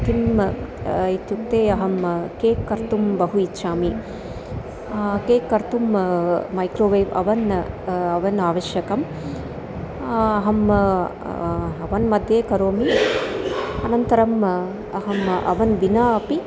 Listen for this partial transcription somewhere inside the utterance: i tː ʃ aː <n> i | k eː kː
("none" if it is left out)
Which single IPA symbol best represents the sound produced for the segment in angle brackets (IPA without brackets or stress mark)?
m